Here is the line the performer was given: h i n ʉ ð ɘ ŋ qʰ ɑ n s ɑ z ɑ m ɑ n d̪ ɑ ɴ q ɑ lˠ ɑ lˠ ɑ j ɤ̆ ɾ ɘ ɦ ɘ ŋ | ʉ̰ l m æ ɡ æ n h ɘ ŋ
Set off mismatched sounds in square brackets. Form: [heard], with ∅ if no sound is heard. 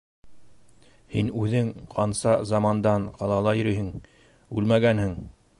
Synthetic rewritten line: h i n ʉ ð ɘ ŋ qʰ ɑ n s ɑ z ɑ m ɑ n d̪ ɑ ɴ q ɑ lˠ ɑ lˠ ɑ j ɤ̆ ɾ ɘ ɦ ɘ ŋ | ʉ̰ l m æ ɡ æ n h ɘ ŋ